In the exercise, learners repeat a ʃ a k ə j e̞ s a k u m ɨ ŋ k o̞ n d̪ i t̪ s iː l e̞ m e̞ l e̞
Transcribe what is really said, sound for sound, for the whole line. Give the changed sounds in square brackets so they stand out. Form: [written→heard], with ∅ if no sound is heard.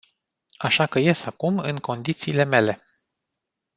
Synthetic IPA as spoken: a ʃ a k ə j e̞ s a k u m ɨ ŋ k o̞ n d̪ i t̪ s iː l e̞ m e̞ l e̞